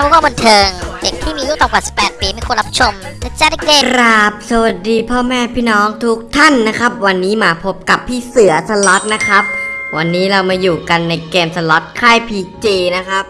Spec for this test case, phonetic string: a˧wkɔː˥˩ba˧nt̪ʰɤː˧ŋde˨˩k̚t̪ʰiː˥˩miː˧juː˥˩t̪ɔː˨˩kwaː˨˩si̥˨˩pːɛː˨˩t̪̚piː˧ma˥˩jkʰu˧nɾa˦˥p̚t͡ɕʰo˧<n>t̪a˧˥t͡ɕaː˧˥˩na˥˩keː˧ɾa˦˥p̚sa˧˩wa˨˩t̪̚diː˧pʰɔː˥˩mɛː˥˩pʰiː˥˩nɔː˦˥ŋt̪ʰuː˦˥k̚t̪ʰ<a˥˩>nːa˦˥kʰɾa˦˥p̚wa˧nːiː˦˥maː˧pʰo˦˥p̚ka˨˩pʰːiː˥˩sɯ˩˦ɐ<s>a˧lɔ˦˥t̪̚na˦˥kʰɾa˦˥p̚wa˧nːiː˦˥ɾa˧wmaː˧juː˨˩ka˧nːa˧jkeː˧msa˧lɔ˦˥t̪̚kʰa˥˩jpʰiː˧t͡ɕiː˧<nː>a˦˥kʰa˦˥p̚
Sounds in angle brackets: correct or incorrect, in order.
incorrect: m, correct, correct, incorrect: n

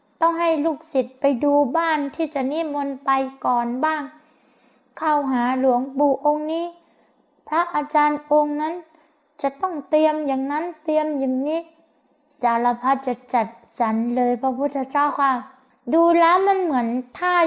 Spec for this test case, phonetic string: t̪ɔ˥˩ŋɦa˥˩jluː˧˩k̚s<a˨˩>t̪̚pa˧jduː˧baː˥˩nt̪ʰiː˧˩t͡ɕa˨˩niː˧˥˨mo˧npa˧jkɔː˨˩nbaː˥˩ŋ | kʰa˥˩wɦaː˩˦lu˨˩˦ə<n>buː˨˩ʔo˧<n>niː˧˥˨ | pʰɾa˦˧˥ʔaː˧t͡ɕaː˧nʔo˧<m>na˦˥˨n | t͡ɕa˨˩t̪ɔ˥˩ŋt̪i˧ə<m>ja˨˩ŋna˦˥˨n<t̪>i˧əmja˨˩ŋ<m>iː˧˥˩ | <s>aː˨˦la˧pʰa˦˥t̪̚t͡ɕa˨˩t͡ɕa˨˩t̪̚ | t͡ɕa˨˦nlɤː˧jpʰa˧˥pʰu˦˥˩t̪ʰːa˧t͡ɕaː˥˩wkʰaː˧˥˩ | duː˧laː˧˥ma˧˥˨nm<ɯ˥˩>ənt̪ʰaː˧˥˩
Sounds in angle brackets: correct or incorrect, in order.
incorrect: i˨˩, incorrect: ŋ, incorrect: ŋ, incorrect: ŋ, correct, correct, incorrect: n, correct, incorrect: ɯ˩˦

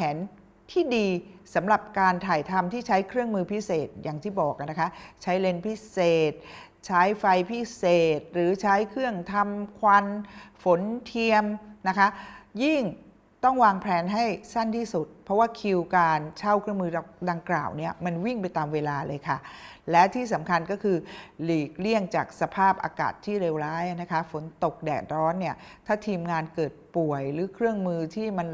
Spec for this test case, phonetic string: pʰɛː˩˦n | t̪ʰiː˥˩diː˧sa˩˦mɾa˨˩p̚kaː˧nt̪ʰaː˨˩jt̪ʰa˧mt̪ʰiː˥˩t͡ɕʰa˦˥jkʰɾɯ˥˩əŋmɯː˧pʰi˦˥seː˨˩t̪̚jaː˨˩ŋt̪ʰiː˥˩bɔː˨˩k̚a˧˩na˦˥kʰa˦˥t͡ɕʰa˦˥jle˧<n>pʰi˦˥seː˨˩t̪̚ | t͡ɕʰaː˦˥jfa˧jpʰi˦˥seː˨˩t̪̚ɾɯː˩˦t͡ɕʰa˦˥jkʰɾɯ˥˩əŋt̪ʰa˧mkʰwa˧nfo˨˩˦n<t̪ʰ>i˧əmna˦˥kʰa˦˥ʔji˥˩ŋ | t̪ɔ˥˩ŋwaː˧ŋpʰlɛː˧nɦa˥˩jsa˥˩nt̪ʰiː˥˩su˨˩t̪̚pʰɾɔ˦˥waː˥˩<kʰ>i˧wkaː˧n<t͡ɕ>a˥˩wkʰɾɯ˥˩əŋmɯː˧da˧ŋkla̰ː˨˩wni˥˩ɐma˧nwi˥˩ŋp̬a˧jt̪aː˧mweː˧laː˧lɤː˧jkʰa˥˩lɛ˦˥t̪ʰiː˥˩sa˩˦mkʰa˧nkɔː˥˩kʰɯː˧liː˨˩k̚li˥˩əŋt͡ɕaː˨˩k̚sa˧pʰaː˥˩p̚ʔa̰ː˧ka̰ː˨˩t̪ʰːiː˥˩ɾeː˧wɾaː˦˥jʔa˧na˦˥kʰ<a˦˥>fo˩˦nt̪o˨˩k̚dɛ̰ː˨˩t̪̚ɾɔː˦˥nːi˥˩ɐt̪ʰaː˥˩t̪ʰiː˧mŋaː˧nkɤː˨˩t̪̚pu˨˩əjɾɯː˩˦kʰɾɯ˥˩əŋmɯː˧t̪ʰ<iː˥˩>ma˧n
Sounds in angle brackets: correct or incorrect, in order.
correct, correct, correct, incorrect: t͡ɕʰ, correct, correct

